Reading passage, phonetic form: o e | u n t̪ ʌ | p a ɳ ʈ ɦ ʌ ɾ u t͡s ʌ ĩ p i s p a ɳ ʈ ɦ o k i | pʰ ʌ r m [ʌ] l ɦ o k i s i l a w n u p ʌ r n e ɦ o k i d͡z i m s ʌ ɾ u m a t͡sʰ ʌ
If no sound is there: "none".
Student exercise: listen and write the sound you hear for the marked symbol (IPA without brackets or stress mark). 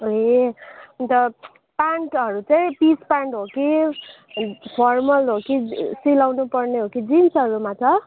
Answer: ʌ